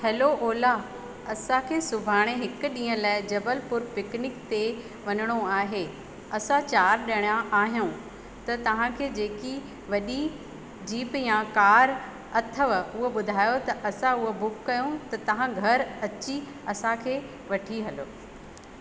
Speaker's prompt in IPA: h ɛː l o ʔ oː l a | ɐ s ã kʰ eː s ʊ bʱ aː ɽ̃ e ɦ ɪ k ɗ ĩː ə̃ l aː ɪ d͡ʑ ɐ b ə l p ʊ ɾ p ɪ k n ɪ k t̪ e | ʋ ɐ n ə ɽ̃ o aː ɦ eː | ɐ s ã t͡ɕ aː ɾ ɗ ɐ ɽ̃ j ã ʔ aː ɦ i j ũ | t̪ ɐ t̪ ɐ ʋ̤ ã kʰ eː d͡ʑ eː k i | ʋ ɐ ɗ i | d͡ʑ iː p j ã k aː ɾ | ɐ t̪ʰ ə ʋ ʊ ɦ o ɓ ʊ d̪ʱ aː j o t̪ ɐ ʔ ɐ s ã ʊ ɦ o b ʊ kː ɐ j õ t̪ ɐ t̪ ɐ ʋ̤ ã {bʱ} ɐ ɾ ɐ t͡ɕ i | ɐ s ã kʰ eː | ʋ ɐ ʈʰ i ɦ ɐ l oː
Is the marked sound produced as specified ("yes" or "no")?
no